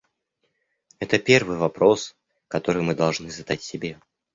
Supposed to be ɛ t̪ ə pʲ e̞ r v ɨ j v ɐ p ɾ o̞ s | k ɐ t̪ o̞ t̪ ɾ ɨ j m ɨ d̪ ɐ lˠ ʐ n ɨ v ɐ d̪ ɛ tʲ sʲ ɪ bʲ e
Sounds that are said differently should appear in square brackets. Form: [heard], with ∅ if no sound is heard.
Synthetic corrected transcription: ɛ t̪ ə pʲ e̞ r v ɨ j v ɐ p ɾ o̞ s | k ɐ t̪ o̞ [∅] ɾ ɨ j m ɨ d̪ ɐ lˠ ʐ n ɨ [z] ɐ d̪ [a] tʲ sʲ ɪ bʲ e